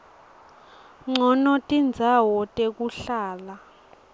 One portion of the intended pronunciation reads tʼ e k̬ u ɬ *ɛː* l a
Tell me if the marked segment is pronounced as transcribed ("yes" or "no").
no